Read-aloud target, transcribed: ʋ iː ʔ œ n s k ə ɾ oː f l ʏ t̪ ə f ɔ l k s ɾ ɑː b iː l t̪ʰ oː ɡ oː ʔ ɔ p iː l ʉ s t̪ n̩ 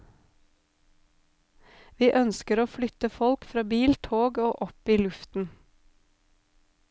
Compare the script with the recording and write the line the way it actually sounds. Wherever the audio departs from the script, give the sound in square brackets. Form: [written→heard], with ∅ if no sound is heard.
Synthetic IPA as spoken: ʋ iː ʔ œ n s k ə ɾ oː f l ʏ t̪ ə f ɔ l k [s→f] ɾ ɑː b iː l t̪ʰ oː ɡ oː ʔ ɔ p iː l ʉ [s→f] t̪ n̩